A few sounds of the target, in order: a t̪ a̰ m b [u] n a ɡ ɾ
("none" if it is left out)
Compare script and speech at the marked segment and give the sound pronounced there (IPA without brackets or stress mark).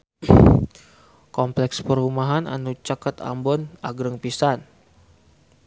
ɔ